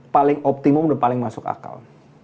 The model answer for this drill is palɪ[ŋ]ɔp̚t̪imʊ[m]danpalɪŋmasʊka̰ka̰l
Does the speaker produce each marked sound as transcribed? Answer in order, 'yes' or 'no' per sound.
yes, yes

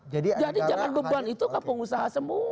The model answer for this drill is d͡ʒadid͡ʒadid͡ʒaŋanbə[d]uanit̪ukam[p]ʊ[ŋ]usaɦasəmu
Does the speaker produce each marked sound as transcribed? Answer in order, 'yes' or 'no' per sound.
no, yes, yes

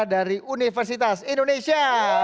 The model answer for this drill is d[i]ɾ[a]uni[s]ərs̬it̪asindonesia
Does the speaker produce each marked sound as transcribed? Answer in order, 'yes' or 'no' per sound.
no, no, no

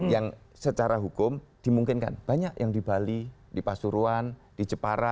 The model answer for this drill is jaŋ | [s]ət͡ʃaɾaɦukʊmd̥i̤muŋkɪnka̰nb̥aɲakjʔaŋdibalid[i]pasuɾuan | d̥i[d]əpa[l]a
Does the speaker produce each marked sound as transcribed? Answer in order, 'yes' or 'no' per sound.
yes, yes, no, no

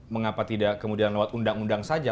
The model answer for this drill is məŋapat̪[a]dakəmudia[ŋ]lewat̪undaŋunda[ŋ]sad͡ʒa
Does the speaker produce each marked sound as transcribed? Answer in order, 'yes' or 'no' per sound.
no, no, yes

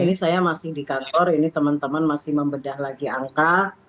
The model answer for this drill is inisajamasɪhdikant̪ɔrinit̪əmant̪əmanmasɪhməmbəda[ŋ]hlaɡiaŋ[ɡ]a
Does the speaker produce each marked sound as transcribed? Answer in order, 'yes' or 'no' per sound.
no, no

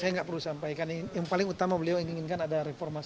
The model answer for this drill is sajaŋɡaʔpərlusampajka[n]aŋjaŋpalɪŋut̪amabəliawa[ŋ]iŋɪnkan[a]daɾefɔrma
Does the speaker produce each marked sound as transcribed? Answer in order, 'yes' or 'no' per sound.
yes, yes, yes

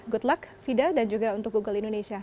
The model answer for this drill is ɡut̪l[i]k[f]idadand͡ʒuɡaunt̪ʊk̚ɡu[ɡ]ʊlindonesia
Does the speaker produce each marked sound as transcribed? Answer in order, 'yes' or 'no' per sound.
no, yes, yes

